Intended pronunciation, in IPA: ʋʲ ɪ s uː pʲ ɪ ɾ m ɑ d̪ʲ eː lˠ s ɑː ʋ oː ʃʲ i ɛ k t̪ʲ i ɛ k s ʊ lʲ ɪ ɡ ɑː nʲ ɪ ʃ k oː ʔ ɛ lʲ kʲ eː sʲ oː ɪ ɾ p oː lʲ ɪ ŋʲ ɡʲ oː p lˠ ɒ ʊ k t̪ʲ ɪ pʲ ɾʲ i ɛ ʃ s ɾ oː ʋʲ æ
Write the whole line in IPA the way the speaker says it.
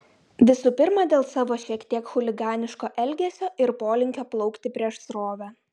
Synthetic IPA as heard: ʋʲ ɪ s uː pʲ ɪ ɾ m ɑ d̪ʲ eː lˠ s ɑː ʋ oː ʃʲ i ɛ k t̪ʲ i ɛ k x ʊ lʲ ɪ ɡ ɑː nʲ ɪ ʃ k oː ʔ ɛ lʲ ɡʲ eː sʲ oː ɪ ɾ p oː lʲ ɪ ŋʲ kʲ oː p lˠ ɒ ʊ k t̪ʲ ɪ pʲ ɾʲ i ɛ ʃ s ɾ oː ʋʲ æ